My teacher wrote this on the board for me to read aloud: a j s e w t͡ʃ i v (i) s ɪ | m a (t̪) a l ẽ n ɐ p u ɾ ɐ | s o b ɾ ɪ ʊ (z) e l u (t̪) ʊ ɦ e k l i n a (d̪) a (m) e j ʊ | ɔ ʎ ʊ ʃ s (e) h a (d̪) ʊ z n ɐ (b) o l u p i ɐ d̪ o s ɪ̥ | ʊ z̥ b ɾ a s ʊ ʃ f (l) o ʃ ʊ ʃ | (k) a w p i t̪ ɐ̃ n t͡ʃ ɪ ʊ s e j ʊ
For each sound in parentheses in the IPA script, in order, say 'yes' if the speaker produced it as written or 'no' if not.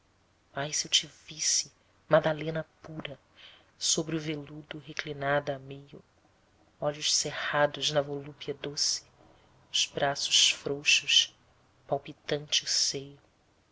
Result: yes, no, no, no, yes, yes, yes, yes, no, no, no

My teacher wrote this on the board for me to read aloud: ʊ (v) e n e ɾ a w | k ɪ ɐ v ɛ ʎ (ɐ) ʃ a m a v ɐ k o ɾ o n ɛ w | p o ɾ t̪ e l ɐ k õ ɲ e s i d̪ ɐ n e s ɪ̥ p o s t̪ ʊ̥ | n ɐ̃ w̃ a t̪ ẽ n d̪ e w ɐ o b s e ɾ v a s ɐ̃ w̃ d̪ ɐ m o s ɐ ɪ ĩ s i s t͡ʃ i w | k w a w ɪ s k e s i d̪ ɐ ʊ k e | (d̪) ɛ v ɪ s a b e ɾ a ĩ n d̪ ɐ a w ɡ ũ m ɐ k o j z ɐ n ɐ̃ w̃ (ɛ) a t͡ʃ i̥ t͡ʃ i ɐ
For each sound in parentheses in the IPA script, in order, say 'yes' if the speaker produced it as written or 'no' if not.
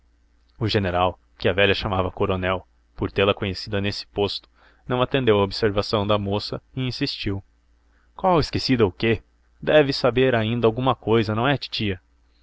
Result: no, yes, yes, yes

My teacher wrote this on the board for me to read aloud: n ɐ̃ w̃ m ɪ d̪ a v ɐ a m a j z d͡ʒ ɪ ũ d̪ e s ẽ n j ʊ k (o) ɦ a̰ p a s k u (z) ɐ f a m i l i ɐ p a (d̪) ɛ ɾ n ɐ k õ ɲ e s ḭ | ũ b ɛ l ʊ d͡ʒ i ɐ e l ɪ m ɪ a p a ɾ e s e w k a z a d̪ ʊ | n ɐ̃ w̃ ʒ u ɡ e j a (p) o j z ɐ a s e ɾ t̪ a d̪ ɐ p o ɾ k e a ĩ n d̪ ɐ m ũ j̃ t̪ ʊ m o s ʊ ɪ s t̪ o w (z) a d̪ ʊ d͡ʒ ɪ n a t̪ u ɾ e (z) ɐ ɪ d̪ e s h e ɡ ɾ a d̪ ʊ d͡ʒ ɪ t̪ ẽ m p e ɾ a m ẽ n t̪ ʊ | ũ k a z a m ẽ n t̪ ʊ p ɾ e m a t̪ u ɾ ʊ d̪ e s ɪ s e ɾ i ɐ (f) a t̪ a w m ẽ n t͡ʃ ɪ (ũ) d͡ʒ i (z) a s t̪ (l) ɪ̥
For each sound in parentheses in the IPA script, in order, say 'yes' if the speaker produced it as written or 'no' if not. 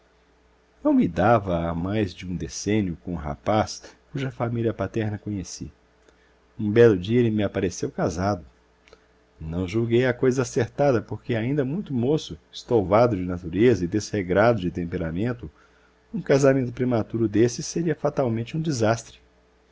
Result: no, no, no, no, no, yes, yes, yes, yes, no

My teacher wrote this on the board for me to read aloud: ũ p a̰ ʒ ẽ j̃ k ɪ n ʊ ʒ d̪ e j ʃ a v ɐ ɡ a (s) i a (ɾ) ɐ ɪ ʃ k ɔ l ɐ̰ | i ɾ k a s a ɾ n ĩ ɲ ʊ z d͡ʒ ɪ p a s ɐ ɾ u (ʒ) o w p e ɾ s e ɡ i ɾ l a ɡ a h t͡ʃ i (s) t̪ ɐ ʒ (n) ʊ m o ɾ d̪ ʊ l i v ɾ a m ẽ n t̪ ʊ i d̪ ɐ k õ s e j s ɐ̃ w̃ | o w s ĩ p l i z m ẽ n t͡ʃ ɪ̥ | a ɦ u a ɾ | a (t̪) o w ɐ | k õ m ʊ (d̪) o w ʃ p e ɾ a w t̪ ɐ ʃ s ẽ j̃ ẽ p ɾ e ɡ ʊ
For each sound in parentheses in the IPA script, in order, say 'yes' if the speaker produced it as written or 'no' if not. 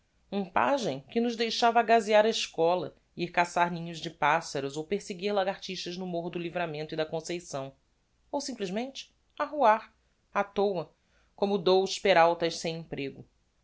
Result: no, yes, no, no, yes, yes, yes

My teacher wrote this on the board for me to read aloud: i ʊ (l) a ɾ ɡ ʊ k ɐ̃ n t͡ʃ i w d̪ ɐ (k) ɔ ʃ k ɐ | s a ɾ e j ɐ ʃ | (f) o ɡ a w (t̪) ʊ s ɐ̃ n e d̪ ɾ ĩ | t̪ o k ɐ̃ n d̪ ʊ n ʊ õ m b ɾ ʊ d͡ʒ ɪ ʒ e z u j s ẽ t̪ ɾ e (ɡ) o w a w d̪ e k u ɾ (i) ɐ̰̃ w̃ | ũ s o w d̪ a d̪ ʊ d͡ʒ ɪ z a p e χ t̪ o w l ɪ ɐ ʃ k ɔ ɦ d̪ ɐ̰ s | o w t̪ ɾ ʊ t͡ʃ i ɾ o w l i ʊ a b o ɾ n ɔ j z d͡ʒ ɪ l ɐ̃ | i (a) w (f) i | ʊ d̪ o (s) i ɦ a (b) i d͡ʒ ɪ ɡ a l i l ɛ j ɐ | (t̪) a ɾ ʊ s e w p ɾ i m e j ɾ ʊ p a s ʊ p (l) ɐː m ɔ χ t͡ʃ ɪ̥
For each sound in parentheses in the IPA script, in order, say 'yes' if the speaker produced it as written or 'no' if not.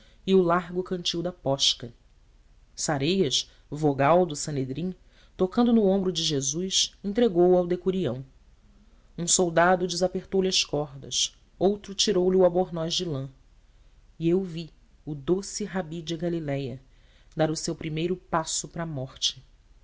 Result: yes, no, no, no, yes, yes, no, no, yes, yes, no, no

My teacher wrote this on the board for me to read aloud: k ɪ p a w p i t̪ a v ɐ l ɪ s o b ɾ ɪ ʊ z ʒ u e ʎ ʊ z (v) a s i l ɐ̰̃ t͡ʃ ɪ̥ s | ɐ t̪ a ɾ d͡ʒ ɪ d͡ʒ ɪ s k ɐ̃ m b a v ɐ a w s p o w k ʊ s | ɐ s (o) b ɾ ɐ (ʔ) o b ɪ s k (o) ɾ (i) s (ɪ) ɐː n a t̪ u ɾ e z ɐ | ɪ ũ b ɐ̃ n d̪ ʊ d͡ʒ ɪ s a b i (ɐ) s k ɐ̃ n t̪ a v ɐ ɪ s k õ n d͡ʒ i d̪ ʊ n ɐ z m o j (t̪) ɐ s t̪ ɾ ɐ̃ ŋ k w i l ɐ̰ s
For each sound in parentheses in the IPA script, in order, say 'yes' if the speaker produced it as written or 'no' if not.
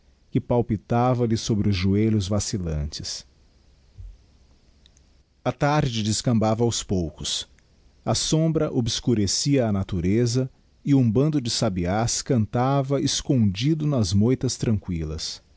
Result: yes, no, yes, no, no, no, no, yes

